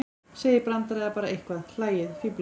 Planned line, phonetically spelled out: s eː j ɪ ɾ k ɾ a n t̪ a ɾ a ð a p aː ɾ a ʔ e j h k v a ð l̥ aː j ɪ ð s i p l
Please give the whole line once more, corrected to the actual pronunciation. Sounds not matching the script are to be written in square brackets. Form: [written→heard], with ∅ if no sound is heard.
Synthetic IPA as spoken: s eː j ɪ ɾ [k→p] ɾ a n t̪ a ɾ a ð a p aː ɾ a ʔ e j h k v a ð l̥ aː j ɪ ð [s→f] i p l